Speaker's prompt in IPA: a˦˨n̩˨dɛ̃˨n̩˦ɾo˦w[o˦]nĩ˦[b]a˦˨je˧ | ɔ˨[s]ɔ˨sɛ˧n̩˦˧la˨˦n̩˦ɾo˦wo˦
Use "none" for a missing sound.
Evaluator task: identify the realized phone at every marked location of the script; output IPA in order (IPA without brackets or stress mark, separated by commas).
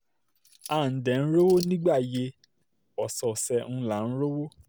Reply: o˦, ɡ͡b, s